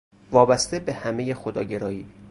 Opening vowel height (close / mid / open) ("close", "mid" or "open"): open